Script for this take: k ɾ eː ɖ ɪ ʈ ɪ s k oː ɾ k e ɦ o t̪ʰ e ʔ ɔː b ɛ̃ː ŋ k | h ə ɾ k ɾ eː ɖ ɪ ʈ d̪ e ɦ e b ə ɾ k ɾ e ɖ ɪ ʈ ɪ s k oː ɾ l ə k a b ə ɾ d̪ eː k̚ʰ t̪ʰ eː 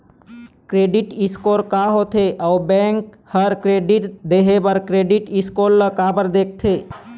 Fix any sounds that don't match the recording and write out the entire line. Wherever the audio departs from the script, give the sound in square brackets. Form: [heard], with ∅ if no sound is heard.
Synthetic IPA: k ɾ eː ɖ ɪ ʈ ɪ s k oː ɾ k [a] ɦ o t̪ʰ e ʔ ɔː b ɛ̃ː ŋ k | h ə ɾ k ɾ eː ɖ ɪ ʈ d̪ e ɦ e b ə ɾ k ɾ e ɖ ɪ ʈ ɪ s k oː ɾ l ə k a b ə ɾ d̪ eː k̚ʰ t̪ʰ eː